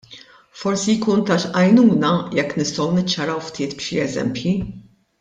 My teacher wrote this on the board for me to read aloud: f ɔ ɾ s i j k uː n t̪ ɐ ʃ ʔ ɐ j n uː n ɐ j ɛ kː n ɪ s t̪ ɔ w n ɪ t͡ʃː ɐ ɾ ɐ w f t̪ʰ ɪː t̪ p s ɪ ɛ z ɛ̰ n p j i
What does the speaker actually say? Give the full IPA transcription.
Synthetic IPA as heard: f ɔ ɾ s i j k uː n t̪ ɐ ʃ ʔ ɐ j n uː n ɐ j ɛ kː n ɪ s t̪ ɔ w n ɪ t͡ʃː ɐ ɾ ɐ w f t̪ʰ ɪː t̪ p ʃ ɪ ɛ z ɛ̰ m p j i